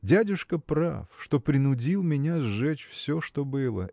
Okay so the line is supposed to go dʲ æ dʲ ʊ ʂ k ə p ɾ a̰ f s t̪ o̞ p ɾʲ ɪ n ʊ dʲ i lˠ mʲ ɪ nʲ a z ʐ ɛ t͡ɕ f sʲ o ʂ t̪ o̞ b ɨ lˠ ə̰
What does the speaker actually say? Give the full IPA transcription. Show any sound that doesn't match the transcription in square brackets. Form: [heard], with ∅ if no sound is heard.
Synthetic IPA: dʲ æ dʲ ʊ ʂ k ə p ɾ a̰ f [ʂ] t̪ o̞ p ɾʲ ɪ n ʊ dʲ i lˠ mʲ ɪ nʲ a z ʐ ɛ t͡ɕ f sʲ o ʂ t̪ o̞ b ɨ lˠ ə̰